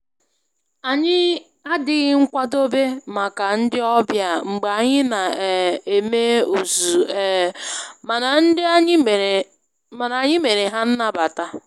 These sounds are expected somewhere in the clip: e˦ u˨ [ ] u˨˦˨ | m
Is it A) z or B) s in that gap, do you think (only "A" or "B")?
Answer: A